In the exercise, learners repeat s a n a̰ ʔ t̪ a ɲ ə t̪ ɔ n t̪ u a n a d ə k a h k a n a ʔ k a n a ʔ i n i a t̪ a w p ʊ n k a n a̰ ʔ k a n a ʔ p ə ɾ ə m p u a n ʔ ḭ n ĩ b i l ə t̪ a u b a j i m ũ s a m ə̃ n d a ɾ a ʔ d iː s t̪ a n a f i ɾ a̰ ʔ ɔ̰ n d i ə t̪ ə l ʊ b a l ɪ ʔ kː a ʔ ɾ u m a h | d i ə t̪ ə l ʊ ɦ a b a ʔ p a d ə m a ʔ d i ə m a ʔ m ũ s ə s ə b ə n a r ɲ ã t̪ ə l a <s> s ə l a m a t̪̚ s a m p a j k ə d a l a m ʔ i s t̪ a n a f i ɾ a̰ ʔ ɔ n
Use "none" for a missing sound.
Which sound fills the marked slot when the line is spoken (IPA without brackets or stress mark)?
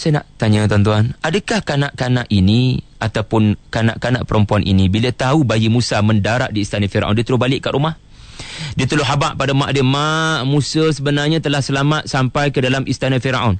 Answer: h